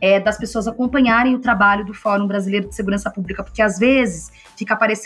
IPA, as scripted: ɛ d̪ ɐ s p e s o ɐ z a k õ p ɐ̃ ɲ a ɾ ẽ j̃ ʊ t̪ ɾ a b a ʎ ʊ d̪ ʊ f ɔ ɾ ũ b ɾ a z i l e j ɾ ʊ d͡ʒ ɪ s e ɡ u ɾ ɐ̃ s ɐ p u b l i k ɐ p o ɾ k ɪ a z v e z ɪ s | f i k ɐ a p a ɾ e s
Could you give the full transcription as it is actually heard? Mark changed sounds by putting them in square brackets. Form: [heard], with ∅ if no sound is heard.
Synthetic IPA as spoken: ɛ d̪ ɐ s p e s o ɐ z a k õ p ɐ̃ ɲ a ɾ ẽ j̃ ʊ t̪ ɾ a b a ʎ ʊ d̪ ʊ f ɔ ɾ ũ b ɾ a z i l e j ɾ ʊ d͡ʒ ɪ s e ɡ u ɾ ɐ̃ s ɐ p u b l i k ɐ p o ɾ k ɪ a z v e z ɪ s | f i k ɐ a p a ɾ e s